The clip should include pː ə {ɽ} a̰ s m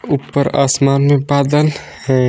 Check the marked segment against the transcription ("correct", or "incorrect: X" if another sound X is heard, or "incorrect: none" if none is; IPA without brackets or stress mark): incorrect: ɾ